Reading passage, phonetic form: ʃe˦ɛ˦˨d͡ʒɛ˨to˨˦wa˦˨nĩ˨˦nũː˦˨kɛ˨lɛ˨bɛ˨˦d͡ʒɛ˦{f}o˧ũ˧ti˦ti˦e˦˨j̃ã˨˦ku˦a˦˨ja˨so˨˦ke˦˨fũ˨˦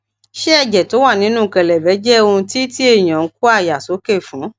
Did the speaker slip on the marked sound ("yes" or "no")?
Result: yes